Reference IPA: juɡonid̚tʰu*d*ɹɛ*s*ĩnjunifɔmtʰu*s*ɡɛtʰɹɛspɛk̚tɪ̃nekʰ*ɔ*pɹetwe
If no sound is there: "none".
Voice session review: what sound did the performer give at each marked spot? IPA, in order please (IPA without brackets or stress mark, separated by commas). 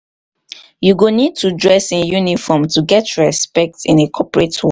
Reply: d, s, none, ɔ